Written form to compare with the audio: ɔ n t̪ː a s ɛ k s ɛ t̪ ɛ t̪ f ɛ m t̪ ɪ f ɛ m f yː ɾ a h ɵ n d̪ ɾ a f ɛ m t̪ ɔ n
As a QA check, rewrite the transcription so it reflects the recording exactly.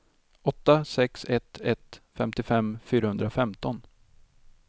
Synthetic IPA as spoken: ɔ t̪ː a s ɛ k s ɛ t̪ ɛ t̪ f ɛ m t̪ ɪ f ɛ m f yː ɾ a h ɵ n d̪ ɾ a f ɛ m t̪ ɔ n

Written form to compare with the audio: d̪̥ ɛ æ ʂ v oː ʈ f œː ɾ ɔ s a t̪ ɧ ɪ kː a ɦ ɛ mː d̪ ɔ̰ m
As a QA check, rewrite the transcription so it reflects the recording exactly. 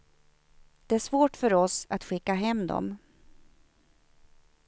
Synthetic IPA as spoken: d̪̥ ɛ æ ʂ v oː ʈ f œ ɾ ɔ s a t̪ ɧ ɪ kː a ɦ ɛ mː d̪ ɔ̰ m

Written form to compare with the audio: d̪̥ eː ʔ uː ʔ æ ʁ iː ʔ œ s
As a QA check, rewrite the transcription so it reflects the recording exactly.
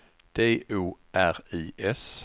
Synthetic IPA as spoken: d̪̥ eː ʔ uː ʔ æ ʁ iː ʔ ɛ s

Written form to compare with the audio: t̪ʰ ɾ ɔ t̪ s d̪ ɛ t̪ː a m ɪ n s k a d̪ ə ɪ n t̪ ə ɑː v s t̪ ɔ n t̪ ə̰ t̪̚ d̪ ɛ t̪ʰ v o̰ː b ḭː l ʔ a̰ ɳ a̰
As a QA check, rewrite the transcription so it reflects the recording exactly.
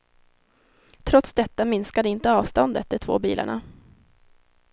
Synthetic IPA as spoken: t̪ʰ ɾ ɔ t̪ s d̪ ɛ t̪ː a m ɪ n s k a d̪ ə ɪ n t̪ ə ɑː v s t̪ ɔ n d̪ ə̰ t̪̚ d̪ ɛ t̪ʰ v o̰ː b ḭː l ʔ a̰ ɳ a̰

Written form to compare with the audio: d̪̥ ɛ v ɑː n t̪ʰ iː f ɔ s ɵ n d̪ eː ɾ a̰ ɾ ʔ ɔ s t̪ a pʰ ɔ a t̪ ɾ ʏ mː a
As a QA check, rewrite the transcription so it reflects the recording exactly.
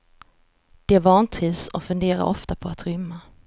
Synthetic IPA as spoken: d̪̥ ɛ v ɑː n t̪ʰ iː s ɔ f ɵ n d̪ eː ɾ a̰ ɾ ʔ ɔ f t̪ a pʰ ɔ a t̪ ɾ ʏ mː a

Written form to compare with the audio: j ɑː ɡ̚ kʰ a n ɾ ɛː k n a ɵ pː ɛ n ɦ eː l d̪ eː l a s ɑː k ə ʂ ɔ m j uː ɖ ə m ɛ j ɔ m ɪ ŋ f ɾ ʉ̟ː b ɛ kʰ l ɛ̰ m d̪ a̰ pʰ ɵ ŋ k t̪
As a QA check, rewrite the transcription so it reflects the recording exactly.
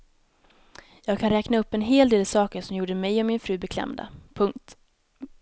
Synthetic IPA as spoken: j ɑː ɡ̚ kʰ a n ɾ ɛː k n a ɵ pː ɛ n ɦ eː l d̪ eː l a s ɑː k ə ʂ ɔ m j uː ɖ ə m ɛ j ɔ m ɪ n f ɾ ʉ̟ː b ɛ kʰ l ɛ̰ m d̪ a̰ pʰ ɵ ŋ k t̪

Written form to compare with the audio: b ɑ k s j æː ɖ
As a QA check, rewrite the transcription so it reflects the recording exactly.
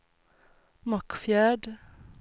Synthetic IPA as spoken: m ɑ k f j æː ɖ

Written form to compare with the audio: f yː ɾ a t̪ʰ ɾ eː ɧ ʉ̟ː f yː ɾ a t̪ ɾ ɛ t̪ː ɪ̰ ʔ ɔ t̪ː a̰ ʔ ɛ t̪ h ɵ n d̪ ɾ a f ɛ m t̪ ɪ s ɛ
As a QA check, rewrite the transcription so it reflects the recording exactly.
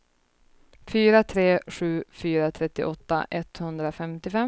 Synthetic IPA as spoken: f yː ɾ a t̪ʰ ɾ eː ɧ ʉ̟ː f yː ɾ a t̪ʰ ɾ ɛ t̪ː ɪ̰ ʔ ɔ t̪ː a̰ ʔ ɛ t̪ h ɵ n d̪ ɾ a f ɛ m t̪ ɪ f ɛ

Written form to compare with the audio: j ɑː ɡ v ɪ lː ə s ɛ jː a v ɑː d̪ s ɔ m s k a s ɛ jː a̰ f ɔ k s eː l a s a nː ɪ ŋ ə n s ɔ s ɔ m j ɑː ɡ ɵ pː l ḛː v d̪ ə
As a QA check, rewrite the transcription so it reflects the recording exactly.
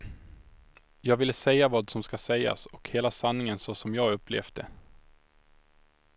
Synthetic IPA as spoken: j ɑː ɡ v ɪ lː ə s ɛ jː a v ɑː d̪ s ɔ m s k a s ɛ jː a̰ s ɔ k h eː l a s a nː ɪ ŋ ə n s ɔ s ɔ m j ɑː ɡ ɵ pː l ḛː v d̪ ə

